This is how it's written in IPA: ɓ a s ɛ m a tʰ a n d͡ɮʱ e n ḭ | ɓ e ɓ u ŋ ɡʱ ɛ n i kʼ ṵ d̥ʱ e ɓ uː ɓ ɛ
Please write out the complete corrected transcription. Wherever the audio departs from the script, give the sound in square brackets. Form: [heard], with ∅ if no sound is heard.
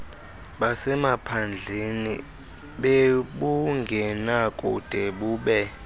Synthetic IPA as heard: ɓ a s ɛ m a [pʰ] a n d͡ɮʱ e n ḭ | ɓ e ɓ u ŋ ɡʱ ɛ n [a] kʼ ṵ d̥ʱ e ɓ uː ɓ ɛ

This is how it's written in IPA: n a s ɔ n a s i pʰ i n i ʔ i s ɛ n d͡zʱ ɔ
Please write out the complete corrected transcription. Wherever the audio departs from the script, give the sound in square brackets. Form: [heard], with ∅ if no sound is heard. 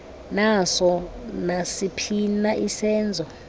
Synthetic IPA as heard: n a s ɔ n a s i pʰ i n [a] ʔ i s [ɛː] n d͡zʱ ɔ

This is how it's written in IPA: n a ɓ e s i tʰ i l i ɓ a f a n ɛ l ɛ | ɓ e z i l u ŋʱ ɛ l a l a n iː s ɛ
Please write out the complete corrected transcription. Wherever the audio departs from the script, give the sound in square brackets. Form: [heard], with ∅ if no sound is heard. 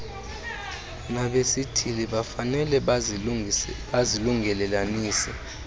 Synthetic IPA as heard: n a ɓ e s i tʰ i l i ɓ a f a n ɛ l ɛ | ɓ [a] z i l u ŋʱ ɛ l [ɛ] l a n iː s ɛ

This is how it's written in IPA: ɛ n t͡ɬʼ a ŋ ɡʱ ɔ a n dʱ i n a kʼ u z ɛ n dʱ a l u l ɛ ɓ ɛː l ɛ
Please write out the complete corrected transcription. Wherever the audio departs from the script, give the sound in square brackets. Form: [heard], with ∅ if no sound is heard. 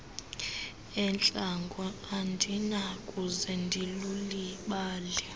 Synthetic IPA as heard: ɛ n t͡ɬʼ a ŋ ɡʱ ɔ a n dʱ i n a kʼ u z ɛ n dʱ [i] l u l [i] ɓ [aː] l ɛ

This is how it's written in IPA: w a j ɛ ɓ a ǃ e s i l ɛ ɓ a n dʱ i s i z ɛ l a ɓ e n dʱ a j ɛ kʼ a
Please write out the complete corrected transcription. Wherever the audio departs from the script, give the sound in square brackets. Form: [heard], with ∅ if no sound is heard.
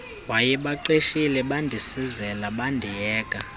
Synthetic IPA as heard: w a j ɛ ɓ a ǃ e [ʃ] i l ɛ ɓ a n dʱ i s i z ɛ l a ɓ [a] n dʱ [i] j [ɛː] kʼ a

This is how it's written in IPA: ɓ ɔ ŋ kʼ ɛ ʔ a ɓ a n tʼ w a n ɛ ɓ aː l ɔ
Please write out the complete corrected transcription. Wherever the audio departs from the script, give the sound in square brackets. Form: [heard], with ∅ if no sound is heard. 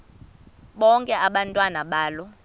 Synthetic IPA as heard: ɓ ɔ ŋ kʼ ɛ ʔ a ɓ a n tʼ w a n [a] ɓ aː l ɔ

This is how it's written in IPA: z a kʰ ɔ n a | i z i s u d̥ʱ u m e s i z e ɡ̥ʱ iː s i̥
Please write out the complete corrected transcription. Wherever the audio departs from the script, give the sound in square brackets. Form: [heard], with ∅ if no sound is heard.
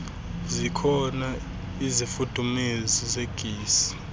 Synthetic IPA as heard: z [i] kʰ ɔ n a | i z i [f] u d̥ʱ u m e [z] i z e ɡ̥ʱ iː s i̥

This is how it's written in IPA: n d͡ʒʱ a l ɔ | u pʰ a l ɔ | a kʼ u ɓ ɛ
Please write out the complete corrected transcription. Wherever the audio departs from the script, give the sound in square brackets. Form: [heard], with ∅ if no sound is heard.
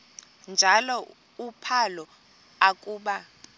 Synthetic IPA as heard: n d͡ʒʱ a l ɔ | u pʰ a l ɔ | a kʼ [uː] ɓ [a]

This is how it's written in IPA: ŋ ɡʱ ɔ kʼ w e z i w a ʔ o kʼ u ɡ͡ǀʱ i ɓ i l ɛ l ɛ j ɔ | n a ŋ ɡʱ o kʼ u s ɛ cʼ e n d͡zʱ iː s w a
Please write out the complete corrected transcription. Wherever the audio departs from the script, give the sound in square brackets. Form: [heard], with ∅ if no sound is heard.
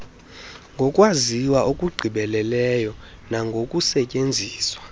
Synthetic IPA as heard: ŋ ɡʱ ɔ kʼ w [a] z i w a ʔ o kʼ u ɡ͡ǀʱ i ɓ [ɛ] l ɛ l ɛ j ɔ | n a ŋ ɡʱ o kʼ u s ɛ cʼ e n d͡zʱ iː s w a

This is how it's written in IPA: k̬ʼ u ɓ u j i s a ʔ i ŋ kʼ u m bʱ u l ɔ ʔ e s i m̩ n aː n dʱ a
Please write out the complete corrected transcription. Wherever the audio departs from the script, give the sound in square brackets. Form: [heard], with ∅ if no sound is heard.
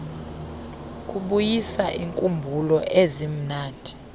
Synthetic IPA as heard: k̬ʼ u ɓ u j i s a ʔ i ŋ kʼ u m bʱ u l ɔ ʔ e [z] i m̩ n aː n dʱ [i]

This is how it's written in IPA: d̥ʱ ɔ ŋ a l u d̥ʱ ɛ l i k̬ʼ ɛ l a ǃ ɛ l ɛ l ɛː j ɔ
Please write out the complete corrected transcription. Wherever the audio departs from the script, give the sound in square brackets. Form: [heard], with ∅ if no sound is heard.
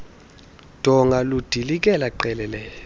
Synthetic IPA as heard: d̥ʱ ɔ ŋ a l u d̥ʱ [i] l i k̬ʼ ɛ l a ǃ ɛ l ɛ l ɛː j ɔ

